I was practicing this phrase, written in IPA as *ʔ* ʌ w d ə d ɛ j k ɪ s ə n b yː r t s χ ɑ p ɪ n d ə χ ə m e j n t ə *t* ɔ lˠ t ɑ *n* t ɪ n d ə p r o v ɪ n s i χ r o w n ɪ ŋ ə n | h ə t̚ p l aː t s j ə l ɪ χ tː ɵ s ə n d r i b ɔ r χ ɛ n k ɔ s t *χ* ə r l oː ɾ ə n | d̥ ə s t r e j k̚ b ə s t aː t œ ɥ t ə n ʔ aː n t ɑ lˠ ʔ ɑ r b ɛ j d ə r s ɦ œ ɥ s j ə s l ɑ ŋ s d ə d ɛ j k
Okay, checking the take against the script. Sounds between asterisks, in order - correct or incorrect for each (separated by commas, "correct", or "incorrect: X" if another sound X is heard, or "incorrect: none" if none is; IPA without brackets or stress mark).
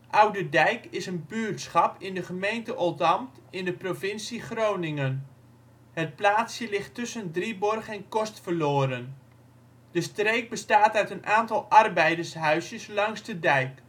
correct, incorrect: ʔ, incorrect: m, incorrect: f